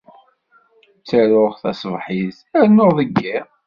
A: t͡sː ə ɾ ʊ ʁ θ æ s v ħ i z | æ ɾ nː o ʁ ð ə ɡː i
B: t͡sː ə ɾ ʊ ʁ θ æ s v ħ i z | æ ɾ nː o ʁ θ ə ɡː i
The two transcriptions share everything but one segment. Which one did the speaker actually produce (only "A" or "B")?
A